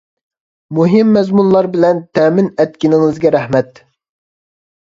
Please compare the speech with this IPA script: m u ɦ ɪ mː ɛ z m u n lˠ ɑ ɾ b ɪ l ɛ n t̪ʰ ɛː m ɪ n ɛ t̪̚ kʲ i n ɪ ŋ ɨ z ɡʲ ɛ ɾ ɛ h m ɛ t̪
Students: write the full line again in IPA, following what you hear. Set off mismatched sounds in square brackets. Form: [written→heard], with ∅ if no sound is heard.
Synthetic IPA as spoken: m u ɦ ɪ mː ɛ z m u n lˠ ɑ ɾ b ɪ l ɛ n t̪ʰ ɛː m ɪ n ɛ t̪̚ kʲ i n ɪ ŋ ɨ z ɡʲ ɛ ɾ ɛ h m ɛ t̪